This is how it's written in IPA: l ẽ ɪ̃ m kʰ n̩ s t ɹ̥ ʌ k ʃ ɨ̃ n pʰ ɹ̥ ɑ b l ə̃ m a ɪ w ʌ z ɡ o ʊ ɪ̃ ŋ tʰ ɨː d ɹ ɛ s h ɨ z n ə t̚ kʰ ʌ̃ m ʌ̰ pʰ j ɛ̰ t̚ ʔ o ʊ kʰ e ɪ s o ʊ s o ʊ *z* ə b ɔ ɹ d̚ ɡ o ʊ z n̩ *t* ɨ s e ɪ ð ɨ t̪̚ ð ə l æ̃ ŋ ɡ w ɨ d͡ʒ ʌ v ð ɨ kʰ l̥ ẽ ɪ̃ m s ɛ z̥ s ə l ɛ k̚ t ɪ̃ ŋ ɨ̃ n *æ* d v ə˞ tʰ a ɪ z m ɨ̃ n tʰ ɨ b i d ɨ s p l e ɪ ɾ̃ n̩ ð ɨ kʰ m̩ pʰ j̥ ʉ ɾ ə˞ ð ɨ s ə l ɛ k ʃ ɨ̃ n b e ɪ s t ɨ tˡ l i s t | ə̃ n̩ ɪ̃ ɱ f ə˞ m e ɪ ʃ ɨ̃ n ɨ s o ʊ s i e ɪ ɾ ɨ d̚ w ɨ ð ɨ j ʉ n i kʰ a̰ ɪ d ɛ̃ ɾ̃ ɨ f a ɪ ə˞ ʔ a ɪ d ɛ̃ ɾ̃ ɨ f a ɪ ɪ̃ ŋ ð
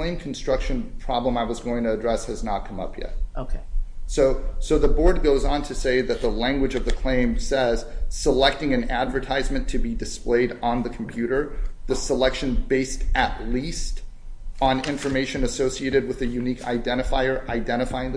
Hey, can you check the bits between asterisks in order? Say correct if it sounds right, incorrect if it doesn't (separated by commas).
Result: incorrect, incorrect, correct